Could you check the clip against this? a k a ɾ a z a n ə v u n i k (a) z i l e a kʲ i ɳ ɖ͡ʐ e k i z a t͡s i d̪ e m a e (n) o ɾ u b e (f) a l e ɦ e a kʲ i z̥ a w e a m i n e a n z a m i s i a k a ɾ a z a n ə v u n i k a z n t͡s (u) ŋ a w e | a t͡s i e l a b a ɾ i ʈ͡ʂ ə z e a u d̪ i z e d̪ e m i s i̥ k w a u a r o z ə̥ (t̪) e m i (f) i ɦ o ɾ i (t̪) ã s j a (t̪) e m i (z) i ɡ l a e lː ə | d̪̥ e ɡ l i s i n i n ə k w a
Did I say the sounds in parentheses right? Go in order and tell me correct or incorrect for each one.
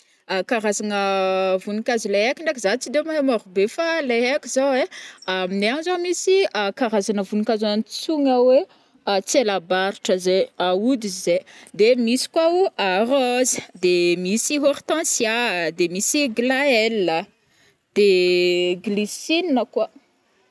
correct, incorrect: m, correct, correct, incorrect: d̪, incorrect: s, correct, incorrect: d̪, incorrect: s

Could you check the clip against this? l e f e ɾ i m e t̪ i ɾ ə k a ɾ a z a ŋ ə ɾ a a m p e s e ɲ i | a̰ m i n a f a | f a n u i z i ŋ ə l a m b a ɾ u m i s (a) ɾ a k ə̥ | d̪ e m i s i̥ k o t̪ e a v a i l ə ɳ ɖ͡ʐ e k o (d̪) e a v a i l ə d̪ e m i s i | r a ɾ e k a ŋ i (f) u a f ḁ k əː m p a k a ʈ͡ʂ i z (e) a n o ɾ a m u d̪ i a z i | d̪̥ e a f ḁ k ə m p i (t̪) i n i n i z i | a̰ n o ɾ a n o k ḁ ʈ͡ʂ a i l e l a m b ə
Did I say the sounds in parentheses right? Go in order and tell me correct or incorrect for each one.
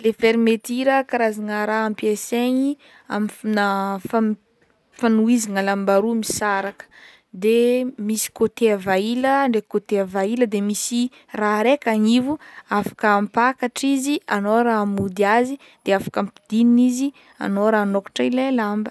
correct, incorrect: t̪, incorrect: v, incorrect: i, incorrect: d̪

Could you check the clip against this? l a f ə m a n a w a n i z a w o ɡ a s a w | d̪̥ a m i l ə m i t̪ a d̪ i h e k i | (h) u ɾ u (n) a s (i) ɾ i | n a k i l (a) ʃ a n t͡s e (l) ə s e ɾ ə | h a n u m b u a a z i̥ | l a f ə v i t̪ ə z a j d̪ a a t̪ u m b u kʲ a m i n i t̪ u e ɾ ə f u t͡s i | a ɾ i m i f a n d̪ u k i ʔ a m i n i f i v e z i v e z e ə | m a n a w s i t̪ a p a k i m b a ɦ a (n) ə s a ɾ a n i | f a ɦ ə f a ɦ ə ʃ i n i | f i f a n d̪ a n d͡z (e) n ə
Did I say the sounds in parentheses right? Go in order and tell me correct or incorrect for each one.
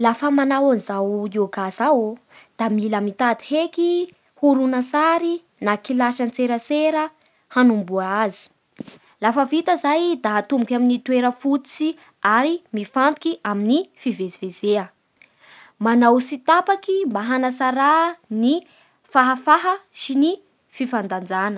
correct, correct, incorrect: a, correct, incorrect: ɾ, correct, incorrect: a

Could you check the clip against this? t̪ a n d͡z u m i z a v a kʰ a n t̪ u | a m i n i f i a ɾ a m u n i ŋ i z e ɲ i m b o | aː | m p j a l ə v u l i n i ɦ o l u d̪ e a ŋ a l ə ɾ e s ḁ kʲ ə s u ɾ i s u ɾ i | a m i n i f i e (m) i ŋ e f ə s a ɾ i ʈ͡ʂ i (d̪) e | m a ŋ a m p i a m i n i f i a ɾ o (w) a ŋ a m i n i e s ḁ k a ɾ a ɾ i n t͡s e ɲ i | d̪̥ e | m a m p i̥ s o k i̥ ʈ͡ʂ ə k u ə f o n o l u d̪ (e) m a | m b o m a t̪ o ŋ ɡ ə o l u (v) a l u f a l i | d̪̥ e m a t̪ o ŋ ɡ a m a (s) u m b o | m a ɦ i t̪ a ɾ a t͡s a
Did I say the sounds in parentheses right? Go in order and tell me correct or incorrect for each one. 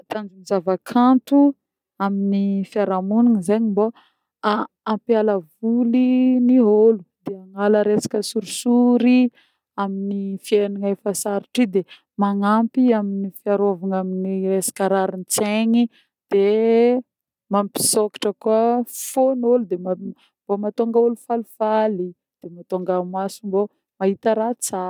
incorrect: n, correct, incorrect: v, correct, incorrect: f, correct

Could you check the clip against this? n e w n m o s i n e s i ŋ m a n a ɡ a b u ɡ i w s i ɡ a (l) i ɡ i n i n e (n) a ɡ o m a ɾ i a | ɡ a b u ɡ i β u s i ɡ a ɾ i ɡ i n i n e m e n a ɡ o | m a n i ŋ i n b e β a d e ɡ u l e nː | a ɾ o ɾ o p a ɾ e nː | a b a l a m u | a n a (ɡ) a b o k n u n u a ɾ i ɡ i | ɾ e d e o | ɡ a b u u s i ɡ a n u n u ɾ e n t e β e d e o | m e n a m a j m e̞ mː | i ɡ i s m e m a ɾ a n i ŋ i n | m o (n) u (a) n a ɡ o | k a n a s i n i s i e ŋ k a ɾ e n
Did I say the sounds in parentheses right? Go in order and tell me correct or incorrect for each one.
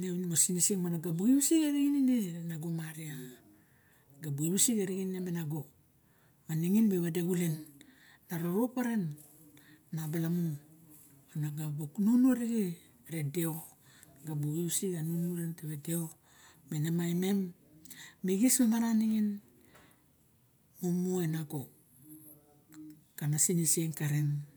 incorrect: ɾ, correct, correct, incorrect: m, incorrect: e

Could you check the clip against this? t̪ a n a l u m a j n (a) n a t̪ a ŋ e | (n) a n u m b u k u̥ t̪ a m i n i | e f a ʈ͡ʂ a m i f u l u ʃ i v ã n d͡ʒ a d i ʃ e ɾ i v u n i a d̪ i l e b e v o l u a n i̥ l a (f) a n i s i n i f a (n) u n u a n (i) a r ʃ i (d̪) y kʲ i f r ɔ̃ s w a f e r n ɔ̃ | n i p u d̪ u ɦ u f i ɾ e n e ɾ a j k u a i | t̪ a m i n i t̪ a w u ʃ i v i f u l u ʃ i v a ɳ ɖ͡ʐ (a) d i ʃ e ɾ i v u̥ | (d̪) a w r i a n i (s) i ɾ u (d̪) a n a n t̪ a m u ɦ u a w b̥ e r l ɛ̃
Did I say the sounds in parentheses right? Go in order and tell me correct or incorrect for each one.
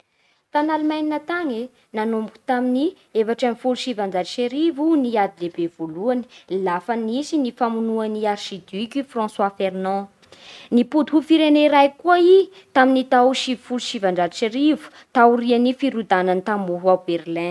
incorrect: i, correct, correct, incorrect: m, correct, correct, correct, incorrect: t̪, incorrect: f, correct

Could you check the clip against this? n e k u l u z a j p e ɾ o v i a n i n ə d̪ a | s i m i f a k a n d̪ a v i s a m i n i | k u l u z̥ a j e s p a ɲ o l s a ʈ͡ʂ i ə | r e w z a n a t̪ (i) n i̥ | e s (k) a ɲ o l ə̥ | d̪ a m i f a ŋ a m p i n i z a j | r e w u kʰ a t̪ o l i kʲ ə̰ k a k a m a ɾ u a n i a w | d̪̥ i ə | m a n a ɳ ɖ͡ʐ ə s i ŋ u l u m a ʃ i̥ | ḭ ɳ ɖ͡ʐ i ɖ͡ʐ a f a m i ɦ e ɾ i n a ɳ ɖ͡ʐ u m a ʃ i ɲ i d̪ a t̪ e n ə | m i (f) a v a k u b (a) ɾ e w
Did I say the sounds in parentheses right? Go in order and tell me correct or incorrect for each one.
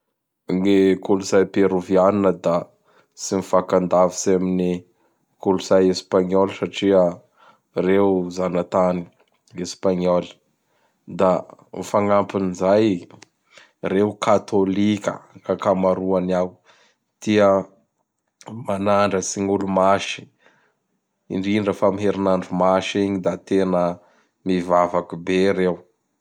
incorrect: a, incorrect: p, incorrect: v, incorrect: e

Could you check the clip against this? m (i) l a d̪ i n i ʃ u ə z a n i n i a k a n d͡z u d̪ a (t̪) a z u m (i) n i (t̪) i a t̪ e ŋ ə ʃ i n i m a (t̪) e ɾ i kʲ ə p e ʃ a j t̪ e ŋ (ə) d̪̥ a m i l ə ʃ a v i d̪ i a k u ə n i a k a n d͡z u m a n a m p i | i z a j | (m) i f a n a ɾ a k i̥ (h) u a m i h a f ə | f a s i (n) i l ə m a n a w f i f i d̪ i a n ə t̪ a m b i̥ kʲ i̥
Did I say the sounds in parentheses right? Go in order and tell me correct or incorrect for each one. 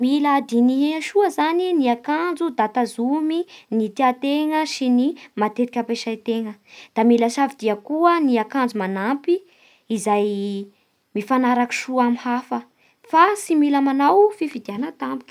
correct, correct, correct, correct, correct, correct, correct, incorrect: ʃ, incorrect: m

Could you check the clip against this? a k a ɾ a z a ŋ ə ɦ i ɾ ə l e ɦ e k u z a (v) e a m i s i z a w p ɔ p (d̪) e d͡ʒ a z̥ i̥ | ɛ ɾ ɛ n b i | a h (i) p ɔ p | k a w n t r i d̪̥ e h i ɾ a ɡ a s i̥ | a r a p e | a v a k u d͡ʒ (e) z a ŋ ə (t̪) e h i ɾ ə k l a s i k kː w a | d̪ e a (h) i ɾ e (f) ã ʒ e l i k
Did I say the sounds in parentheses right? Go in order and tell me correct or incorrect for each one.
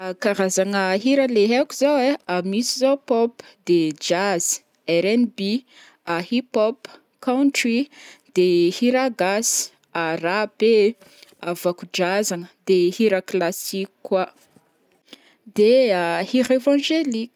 incorrect: w, correct, correct, incorrect: a, incorrect: d̪, correct, incorrect: v

